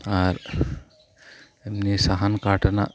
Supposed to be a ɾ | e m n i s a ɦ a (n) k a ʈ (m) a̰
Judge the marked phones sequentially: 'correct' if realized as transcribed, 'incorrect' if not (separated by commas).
correct, incorrect